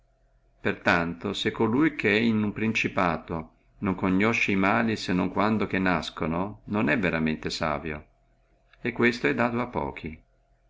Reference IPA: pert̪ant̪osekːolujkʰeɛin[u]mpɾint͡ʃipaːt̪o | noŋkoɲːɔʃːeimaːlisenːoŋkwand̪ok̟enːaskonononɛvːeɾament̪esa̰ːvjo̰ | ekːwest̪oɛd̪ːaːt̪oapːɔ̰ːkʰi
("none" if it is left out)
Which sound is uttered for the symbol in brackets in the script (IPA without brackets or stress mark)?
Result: u